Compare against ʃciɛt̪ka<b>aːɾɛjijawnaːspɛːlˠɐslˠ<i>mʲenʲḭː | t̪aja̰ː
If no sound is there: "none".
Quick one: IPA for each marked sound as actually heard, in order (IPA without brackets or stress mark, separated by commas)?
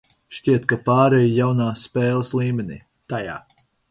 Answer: p, iː